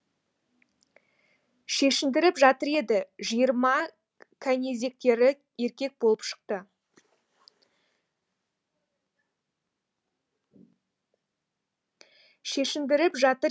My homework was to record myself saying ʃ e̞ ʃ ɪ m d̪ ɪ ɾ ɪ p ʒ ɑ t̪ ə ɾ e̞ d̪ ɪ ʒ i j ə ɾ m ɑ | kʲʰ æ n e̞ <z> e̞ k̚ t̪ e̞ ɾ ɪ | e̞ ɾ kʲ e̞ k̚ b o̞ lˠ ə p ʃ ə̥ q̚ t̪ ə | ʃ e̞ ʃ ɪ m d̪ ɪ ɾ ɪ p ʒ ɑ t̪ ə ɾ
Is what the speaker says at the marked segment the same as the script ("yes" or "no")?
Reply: yes